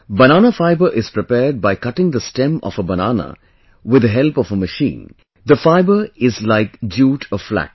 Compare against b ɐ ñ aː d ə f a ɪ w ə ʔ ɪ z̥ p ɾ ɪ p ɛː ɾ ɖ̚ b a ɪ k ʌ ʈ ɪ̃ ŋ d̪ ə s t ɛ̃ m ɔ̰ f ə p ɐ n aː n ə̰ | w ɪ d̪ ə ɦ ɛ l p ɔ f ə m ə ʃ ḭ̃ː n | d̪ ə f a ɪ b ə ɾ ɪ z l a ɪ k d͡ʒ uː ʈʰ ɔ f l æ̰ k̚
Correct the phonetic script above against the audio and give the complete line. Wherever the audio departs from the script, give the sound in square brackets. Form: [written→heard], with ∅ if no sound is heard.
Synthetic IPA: b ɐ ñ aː [d→n] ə f a ɪ [w→b] ə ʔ ɪ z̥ p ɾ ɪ p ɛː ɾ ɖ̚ b a ɪ k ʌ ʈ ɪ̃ ŋ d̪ ə s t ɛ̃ m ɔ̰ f ə [p→b] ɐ n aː n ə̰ | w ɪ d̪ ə ɦ ɛ l p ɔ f ə m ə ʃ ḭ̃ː n | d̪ ə f a ɪ b ə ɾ ɪ z l a ɪ k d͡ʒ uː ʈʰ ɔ f l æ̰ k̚